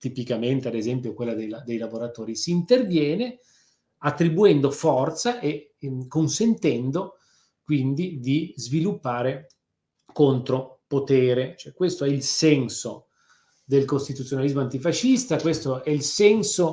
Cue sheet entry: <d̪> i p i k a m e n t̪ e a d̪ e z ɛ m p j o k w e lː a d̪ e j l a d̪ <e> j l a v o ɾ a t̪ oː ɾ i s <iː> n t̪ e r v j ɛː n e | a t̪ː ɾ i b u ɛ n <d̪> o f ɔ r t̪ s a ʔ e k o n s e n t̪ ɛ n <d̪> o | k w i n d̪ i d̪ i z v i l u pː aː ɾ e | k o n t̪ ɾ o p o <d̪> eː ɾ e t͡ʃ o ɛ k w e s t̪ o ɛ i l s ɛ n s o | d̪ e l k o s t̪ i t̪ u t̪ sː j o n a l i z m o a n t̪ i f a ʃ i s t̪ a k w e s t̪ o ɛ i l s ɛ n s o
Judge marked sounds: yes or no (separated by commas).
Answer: no, yes, yes, yes, yes, no